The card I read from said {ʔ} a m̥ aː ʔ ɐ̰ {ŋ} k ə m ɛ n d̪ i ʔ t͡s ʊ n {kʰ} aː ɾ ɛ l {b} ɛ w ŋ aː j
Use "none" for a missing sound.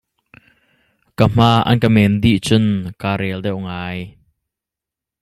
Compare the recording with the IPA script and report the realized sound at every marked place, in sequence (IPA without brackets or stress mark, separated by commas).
k, n, k, d